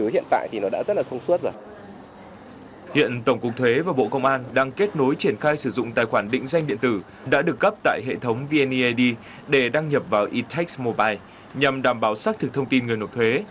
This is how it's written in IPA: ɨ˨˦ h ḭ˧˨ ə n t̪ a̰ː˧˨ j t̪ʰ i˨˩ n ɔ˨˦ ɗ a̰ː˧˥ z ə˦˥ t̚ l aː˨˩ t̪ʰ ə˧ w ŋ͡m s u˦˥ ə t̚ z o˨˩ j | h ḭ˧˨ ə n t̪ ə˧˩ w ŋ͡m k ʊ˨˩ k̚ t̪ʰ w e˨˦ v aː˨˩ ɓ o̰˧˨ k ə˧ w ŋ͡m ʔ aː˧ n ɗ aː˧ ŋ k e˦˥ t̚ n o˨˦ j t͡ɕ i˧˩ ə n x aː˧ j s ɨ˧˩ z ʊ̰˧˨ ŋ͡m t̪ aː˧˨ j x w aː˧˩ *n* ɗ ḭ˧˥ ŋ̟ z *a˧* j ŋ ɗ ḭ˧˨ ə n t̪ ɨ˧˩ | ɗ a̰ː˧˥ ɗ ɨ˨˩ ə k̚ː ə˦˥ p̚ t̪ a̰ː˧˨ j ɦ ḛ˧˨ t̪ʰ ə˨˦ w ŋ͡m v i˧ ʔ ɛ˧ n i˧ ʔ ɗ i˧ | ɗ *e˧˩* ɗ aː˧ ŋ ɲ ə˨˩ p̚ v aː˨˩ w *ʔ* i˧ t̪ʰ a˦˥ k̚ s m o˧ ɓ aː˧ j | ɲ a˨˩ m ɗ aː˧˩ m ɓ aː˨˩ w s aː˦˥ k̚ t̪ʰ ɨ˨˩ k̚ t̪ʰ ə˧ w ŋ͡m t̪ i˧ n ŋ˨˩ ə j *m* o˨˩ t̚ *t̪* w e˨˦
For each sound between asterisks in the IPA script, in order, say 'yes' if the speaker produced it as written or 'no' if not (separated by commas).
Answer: yes, yes, yes, yes, no, no